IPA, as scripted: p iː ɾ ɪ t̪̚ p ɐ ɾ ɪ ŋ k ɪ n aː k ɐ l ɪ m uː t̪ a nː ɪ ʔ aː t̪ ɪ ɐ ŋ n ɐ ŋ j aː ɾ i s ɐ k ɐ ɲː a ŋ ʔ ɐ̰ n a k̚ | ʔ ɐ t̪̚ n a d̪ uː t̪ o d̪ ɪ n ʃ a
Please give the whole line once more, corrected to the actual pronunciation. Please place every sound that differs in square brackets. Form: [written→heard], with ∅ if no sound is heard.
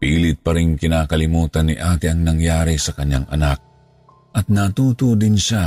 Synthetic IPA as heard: p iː [ɾ→l] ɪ t̪̚ p ɐ ɾ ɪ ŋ k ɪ n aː k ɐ l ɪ m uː t̪ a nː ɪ ʔ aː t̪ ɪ ɐ ŋ n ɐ ŋ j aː ɾ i s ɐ k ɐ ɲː a ŋ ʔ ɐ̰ n a k̚ | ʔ ɐ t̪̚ n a [d̪→t̪] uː t̪ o d̪ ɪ n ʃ a